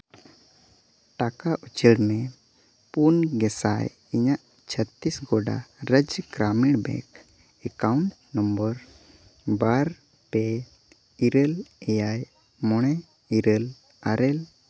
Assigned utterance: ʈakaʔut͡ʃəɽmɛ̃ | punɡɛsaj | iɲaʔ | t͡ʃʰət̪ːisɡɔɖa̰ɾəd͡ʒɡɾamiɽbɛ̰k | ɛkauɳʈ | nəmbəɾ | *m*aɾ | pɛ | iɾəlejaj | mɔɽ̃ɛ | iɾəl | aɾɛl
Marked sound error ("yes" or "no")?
yes